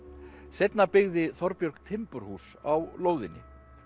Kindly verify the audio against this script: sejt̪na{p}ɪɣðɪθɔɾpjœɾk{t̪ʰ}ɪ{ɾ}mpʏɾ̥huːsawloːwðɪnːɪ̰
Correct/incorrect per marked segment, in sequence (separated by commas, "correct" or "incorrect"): correct, correct, incorrect